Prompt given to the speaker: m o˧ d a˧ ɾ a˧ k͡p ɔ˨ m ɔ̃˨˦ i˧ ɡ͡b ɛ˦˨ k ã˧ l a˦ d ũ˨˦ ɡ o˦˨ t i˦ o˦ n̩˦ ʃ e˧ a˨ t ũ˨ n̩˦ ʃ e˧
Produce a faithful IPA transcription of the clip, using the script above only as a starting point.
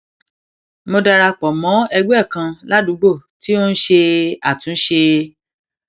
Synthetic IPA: m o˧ d a˧ ɾ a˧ k͡p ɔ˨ m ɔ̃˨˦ ɛ˧ ɡ͡b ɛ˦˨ k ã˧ l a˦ d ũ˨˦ ɡ͡b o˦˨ t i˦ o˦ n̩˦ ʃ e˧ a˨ t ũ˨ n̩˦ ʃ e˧